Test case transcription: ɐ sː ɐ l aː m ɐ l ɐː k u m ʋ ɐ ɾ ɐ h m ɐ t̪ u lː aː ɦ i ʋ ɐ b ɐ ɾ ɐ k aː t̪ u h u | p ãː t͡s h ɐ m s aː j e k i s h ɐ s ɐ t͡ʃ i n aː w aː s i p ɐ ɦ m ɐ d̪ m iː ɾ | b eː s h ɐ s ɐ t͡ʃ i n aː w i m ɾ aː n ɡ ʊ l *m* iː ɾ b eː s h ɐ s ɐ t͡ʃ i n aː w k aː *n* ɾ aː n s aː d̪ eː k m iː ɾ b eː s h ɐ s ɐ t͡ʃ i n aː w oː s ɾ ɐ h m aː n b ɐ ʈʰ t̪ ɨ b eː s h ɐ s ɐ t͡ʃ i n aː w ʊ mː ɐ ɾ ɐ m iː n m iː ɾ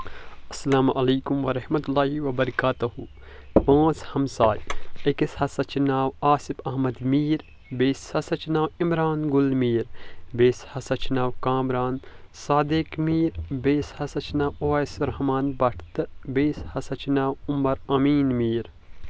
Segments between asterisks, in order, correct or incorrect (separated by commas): correct, incorrect